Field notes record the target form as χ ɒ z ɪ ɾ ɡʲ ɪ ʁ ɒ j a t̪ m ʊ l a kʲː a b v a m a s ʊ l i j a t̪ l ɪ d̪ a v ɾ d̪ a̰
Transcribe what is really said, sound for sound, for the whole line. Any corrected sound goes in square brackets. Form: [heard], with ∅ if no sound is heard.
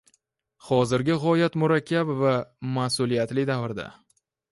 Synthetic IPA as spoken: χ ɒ z ɪ ɾ ɡʲ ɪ ʁ ɒ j a t̪ m ʊ [ɾ] a kʲː a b v a m a s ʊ l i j a t̪ l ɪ d̪ a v ɾ d̪ a̰